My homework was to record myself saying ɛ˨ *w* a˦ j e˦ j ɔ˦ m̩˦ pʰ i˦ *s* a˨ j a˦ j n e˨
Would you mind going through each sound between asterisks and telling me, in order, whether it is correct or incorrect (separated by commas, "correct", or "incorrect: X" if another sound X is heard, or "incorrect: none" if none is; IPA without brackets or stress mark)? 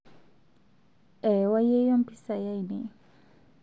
correct, correct